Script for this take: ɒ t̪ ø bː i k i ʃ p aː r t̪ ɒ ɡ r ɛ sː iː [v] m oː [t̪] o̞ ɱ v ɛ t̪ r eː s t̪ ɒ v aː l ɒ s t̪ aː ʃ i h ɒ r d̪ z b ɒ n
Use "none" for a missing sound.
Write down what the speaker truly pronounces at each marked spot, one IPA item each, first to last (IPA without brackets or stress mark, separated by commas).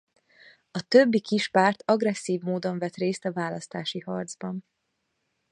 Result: v, d̪